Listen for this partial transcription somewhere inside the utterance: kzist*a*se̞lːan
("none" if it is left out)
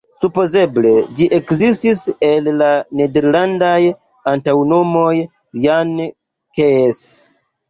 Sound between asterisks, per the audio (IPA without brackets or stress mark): i